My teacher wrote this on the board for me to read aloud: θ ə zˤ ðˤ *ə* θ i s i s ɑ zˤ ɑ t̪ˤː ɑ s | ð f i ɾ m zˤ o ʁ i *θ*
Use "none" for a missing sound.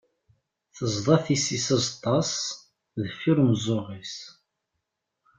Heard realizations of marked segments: ɑ, s

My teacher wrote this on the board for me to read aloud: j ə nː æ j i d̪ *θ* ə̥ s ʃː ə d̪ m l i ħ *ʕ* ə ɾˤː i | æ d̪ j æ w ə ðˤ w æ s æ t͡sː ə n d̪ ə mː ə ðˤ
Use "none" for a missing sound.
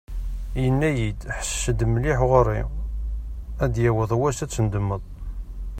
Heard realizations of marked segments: ħ, ʁ

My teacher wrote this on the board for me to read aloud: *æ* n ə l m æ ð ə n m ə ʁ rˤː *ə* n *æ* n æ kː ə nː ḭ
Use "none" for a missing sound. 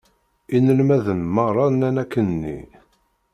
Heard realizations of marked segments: i, ɑ, æ

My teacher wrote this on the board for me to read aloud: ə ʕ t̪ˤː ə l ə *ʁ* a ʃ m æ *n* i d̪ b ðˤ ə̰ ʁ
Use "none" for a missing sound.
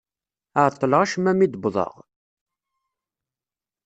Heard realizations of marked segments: ʁ, m

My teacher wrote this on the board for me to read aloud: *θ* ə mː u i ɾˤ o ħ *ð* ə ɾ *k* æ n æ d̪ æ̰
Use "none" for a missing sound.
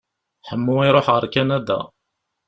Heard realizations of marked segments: ħ, ʁ, k

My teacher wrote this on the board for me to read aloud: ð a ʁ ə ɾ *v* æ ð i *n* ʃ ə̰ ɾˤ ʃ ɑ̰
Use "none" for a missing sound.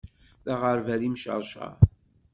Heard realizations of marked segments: v, m

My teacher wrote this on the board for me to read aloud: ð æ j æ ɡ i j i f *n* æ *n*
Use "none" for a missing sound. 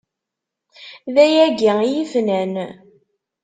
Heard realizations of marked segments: n, n

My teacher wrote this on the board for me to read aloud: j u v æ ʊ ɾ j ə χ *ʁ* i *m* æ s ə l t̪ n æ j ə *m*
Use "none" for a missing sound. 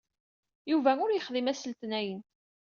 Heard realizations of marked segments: ð, m, n

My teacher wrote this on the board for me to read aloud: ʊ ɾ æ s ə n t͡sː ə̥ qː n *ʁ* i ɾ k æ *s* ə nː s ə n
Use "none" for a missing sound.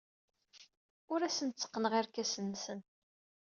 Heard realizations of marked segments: ʁ, s

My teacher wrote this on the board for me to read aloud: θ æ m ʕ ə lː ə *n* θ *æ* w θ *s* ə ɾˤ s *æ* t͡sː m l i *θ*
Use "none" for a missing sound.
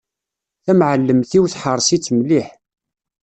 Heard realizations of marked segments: m, i, ħ, i, ħ

